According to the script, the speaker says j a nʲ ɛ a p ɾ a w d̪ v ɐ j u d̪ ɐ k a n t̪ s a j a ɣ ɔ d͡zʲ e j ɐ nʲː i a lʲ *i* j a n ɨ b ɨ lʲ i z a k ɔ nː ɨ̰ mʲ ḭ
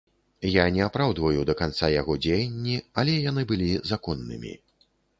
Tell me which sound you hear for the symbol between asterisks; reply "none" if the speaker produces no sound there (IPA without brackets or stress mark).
ɛ